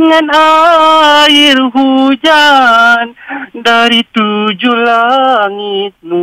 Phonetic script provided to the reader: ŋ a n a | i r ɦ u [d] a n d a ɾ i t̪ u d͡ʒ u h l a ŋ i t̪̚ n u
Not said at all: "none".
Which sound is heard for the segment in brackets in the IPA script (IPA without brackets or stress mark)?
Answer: d͡ʒ